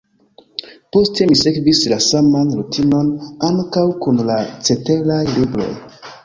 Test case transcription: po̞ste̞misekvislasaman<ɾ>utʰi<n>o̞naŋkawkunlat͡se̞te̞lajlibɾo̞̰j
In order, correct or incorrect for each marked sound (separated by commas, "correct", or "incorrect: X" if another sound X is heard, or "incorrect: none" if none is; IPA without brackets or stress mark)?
correct, correct